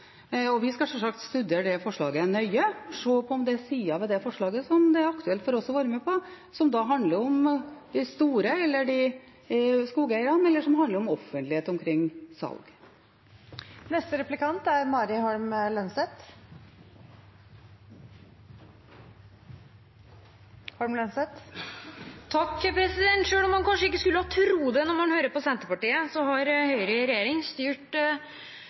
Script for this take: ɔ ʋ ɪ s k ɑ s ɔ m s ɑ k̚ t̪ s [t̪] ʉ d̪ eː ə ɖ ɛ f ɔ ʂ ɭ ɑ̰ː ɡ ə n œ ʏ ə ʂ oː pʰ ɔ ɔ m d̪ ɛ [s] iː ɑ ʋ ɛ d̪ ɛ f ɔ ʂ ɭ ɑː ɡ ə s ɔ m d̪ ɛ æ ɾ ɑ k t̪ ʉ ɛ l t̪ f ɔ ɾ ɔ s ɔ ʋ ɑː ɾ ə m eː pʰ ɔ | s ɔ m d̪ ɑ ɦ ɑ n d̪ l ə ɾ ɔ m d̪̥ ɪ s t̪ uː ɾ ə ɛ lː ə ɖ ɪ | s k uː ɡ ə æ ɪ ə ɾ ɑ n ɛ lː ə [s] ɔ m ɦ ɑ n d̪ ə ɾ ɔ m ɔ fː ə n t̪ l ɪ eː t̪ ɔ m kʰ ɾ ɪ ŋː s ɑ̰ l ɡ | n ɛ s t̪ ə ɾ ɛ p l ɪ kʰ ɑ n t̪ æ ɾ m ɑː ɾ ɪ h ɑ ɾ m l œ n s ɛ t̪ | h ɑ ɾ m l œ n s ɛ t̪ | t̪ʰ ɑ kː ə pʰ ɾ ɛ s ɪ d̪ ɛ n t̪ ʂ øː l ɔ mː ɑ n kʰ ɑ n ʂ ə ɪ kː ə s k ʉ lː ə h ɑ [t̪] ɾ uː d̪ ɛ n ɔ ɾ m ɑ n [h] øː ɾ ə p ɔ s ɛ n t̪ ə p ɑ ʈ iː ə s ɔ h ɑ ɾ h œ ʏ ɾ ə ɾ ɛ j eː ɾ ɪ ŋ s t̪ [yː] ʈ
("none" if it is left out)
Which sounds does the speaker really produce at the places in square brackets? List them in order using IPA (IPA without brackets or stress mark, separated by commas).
t̪, s, ʂ, t̪ʰ, h, yː